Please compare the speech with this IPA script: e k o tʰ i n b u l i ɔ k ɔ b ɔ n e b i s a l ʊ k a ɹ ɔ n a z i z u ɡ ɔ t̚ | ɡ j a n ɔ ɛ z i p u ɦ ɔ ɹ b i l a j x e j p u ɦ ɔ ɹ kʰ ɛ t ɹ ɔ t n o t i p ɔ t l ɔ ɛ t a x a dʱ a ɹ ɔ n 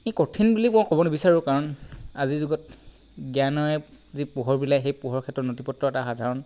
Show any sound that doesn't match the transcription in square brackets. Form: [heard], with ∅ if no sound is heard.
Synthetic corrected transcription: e k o tʰ i n b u l i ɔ k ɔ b ɔ n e b i s a [ɹ] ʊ k a ɹ ɔ n a z i z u ɡ ɔ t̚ | ɡ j a n ɔ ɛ z i p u ɦ ɔ ɹ b i l a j x e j p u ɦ ɔ ɹ kʰ ɛ t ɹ ɔ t n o t i p ɔ t [ɹ] ɔ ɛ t a x a dʱ a ɹ ɔ n